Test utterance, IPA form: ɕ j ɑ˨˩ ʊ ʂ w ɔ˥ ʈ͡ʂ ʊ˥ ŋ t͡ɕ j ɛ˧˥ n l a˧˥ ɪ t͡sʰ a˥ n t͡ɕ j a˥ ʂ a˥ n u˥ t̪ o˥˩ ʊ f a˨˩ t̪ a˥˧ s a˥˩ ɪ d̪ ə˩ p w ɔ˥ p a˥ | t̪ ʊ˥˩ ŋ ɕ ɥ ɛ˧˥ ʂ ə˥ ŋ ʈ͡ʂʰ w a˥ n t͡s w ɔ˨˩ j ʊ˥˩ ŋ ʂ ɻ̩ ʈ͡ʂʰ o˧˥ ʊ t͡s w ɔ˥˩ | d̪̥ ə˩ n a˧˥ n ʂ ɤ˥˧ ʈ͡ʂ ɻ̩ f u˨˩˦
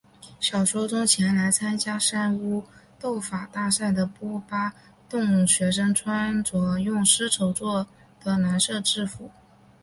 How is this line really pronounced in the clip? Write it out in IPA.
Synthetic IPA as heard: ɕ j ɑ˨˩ ʊ ʂ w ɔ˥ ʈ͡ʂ ʊ˥ ŋ t͡ɕʰ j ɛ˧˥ n l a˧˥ ɪ t͡sʰ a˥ n t͡ɕ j a˥ ʂ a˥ n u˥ t̪ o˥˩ ʊ f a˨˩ t̪ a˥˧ s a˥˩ ɪ d̪ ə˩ p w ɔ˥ p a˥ | t̪ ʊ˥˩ ŋ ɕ ɥ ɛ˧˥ ʂ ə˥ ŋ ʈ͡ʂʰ w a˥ n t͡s w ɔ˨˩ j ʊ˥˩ ŋ ʂ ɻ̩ ʈ͡ʂʰ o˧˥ ʊ t͡s w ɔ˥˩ | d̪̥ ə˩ n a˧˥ n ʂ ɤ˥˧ ʈ͡ʂ ɻ̩ f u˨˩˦